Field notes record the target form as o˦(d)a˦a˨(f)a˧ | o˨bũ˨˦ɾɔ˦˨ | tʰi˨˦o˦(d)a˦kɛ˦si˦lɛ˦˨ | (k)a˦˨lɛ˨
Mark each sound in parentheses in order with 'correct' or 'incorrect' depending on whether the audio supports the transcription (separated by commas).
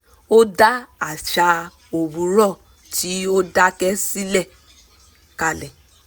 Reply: correct, incorrect, correct, correct